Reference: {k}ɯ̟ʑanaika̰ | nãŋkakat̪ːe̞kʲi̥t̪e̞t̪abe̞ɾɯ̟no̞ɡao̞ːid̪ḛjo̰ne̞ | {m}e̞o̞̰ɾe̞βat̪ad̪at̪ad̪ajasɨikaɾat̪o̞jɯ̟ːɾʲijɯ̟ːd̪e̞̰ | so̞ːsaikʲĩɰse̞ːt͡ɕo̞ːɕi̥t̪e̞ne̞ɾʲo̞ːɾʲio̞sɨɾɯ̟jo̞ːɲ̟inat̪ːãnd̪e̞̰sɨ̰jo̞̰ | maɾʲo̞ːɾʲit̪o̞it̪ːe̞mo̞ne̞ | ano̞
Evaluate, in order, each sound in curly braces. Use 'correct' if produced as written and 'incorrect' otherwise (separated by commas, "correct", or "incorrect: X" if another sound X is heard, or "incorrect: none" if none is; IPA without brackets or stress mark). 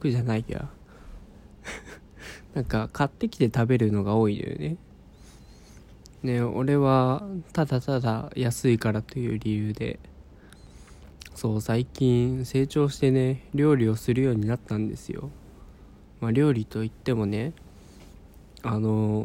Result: correct, incorrect: n